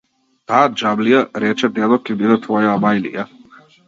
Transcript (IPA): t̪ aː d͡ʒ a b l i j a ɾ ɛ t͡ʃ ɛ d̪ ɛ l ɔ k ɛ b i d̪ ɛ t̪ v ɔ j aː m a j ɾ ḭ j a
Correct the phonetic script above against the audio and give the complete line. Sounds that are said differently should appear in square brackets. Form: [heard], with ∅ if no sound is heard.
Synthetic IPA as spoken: t̪ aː d͡ʒ a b l i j a ɾ ɛ t͡ʃ ɛ d̪ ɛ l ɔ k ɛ b i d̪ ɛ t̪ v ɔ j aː m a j [l] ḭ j a